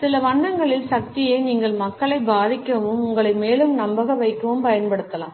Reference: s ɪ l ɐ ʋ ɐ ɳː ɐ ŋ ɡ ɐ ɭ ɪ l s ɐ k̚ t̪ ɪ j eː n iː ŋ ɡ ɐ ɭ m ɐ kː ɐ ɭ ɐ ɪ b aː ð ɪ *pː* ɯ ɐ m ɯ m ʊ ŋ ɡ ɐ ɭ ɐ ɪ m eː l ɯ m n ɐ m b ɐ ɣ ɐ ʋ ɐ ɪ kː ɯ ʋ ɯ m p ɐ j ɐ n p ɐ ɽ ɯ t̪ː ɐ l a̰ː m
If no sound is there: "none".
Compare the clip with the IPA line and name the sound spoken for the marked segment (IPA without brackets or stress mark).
kː